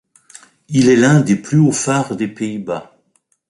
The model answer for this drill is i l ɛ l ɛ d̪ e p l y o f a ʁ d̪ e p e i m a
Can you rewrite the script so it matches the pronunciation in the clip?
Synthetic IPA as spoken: i l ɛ l ɛ̃ d̪ e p l y o f a ʁ d̪ e p e i b a